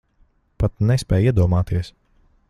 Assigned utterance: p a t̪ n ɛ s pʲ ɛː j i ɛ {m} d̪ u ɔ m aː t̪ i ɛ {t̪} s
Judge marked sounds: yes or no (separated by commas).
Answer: no, no